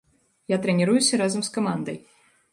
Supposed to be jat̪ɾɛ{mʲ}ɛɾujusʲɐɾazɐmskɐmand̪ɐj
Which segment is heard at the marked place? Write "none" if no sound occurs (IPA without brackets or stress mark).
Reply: nʲ